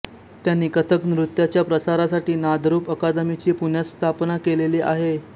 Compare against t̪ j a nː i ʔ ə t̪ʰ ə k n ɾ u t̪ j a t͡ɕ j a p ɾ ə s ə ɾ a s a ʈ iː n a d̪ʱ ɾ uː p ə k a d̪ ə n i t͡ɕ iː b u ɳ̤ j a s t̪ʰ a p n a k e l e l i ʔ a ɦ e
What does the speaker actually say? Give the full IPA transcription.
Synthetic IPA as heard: t̪ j a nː i k ə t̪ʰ ə k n ɾ u t̪ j a t͡ɕ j a p ɾ ə s a ɾ a s a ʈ iː n a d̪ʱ ɾ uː p ə k a d̪ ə m i t͡ɕ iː p u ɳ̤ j a s t̪ʰ a p n a k e l e l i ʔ a ɦ e